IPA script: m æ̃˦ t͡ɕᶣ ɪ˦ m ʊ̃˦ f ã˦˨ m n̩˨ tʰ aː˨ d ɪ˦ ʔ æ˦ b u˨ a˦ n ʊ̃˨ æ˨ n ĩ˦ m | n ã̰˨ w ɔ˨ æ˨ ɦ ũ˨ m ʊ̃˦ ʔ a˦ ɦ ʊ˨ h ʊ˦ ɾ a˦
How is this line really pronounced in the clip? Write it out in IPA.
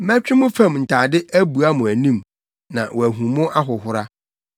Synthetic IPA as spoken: m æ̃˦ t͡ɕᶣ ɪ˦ m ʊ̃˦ f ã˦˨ m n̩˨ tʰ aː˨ d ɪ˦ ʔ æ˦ b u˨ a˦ m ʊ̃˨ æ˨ n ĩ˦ m | n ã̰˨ w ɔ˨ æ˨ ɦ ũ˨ m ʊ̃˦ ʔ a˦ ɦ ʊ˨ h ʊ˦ ɾ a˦